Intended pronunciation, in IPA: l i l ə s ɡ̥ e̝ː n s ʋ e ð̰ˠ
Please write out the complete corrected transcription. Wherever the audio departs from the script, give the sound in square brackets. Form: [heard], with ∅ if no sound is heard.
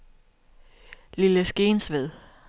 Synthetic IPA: l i l ə s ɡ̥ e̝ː n s ʋ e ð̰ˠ